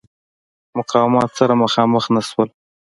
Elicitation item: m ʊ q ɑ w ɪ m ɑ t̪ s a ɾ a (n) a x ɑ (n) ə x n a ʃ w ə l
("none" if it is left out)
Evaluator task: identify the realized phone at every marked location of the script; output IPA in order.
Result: m, m

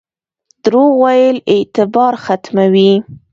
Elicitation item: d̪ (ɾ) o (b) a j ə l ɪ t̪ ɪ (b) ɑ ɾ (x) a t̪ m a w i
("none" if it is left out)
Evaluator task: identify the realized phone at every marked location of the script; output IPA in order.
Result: ɾ, w, b, x

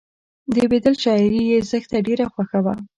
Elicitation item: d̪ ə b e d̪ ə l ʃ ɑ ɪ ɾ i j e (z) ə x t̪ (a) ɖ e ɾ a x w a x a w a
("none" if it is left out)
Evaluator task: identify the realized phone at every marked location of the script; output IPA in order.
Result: z, a

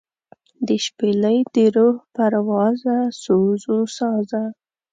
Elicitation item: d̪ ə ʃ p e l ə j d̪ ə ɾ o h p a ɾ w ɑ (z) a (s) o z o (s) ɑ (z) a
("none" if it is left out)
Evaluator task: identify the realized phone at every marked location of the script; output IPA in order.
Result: z, s, s, z

